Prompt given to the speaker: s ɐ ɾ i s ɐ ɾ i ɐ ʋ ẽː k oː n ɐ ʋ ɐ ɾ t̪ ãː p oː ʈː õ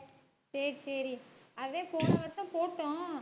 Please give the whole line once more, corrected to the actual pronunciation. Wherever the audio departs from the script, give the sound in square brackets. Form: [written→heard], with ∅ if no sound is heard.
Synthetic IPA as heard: s ɐ ɾ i s ɐ ɾ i ɐ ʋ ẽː [k→p] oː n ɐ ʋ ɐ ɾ t̪ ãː p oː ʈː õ